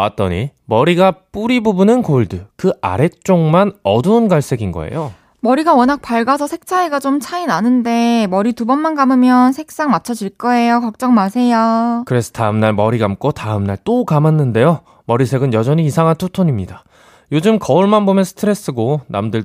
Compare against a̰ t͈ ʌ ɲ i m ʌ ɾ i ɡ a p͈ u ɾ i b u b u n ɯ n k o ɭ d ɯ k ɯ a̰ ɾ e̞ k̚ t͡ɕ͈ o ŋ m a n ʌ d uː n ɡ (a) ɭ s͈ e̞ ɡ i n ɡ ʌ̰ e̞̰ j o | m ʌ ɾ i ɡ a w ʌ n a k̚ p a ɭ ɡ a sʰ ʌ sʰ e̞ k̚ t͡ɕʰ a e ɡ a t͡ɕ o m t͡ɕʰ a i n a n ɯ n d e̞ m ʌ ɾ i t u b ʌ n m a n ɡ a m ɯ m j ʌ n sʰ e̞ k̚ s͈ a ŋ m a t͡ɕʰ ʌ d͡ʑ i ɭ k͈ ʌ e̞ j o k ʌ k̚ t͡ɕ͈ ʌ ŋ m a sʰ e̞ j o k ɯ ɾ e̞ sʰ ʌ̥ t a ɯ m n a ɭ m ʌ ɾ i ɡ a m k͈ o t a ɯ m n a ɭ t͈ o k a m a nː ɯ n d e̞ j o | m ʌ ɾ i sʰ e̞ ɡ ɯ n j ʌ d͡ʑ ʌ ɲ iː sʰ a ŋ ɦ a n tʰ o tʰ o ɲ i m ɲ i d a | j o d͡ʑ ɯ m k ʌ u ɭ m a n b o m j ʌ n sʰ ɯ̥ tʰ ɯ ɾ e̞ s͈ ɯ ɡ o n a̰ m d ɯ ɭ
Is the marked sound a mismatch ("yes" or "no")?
no